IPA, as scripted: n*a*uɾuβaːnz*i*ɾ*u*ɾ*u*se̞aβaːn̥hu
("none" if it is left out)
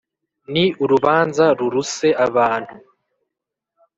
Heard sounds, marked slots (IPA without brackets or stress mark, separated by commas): i, a, u, u